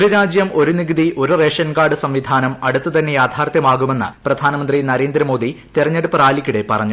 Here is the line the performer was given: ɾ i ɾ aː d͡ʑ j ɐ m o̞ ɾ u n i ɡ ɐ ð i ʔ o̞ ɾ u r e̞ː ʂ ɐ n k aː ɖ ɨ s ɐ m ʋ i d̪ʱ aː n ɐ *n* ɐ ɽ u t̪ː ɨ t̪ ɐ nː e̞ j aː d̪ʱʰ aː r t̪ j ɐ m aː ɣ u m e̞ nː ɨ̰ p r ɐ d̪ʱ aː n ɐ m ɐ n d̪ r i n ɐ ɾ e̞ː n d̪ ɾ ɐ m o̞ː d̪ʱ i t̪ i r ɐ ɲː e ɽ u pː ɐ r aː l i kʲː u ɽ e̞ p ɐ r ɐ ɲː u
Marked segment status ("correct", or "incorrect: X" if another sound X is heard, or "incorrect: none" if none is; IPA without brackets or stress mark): incorrect: m